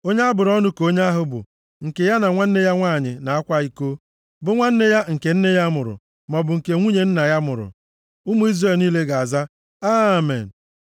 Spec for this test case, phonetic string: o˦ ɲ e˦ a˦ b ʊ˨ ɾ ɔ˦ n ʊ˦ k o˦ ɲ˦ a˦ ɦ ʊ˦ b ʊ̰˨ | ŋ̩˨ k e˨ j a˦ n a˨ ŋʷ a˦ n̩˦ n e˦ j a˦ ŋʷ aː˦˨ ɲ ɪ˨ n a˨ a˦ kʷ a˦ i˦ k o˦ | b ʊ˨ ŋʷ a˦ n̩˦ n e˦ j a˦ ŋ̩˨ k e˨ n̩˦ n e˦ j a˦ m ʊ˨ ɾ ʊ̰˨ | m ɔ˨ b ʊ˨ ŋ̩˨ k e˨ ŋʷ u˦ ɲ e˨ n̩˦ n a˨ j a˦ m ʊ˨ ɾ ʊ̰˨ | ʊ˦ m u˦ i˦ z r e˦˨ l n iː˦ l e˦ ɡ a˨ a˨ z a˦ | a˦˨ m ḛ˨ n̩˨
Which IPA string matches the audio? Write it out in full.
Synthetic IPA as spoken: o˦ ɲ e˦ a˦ b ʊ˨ ɾ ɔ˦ n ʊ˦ k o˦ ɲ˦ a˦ ɦ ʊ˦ b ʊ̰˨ | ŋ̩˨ k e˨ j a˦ n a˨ ŋʷ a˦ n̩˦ n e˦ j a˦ ŋʷ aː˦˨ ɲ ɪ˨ n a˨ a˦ kʷ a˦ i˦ k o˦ | b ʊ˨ ŋʷ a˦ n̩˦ n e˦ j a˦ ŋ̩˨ k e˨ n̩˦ n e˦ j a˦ m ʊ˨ ɾ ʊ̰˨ | m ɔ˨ b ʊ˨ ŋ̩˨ k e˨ ŋʷ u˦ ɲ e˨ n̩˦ n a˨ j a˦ m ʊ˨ ɾ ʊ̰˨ | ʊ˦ m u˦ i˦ z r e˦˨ l n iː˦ l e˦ ɡ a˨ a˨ z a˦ | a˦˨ m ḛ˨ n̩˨